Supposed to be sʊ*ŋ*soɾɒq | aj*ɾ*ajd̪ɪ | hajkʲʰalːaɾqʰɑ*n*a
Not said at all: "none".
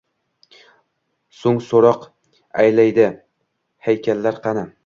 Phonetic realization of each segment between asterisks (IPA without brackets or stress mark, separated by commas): ŋ, l, n